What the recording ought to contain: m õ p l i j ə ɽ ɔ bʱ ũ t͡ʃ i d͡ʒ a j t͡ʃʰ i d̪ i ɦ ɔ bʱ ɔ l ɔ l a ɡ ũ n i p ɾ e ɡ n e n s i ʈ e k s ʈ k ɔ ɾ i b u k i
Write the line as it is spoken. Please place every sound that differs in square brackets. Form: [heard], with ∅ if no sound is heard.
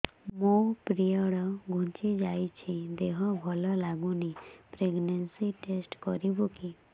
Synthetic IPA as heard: m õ p [ɾ] i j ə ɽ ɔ [ɡʱ] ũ t͡ʃ i d͡ʒ a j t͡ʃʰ i d̪ [e] ɦ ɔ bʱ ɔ l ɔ l a ɡ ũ n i p ɾ e ɡ n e n s i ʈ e [∅] s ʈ k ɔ ɾ i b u k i